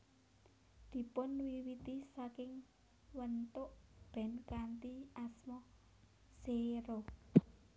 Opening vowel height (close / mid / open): close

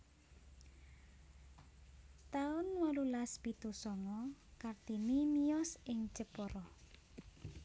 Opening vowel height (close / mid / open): open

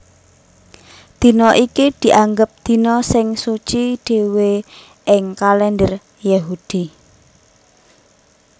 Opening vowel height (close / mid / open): close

